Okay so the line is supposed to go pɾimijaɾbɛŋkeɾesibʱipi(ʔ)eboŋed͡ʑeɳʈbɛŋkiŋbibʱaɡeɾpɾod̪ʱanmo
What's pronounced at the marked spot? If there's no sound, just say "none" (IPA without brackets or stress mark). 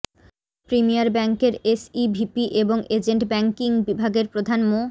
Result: ʔ